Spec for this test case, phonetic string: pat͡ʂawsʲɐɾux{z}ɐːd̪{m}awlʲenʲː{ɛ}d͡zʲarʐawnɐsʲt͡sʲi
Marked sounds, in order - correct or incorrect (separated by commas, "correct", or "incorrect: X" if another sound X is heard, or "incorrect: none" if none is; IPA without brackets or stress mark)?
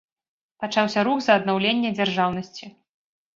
correct, incorrect: n, correct